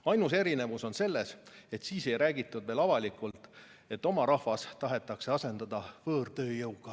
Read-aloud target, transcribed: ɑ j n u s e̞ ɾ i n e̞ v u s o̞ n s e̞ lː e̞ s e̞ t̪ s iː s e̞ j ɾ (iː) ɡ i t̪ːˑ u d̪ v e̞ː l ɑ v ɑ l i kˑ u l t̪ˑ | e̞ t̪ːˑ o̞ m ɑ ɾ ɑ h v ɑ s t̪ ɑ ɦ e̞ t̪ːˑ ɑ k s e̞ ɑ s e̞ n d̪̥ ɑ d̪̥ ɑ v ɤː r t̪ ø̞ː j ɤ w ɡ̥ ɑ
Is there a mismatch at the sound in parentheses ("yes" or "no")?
yes